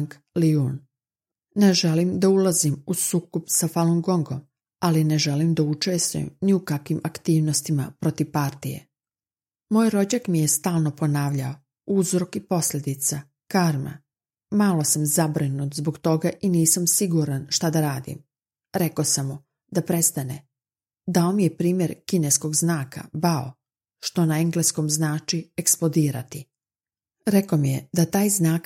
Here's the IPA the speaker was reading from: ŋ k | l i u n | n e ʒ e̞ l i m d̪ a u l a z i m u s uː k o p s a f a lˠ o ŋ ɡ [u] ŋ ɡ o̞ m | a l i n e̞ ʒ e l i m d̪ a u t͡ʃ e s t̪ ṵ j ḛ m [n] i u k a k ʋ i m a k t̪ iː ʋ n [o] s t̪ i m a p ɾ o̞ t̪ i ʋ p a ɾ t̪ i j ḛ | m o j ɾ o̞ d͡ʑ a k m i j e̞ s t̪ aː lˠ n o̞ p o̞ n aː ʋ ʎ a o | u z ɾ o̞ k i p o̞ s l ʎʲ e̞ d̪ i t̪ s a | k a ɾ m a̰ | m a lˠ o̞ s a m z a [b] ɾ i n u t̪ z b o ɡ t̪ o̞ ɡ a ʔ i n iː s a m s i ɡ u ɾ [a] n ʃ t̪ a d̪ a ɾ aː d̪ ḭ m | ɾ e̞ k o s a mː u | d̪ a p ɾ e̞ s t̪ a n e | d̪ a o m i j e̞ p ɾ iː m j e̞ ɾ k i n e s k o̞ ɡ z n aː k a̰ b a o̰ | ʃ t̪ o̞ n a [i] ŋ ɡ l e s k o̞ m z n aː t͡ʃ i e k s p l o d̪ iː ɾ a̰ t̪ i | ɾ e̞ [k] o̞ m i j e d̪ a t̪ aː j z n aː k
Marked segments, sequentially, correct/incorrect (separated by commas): incorrect, correct, correct, correct, correct, incorrect, correct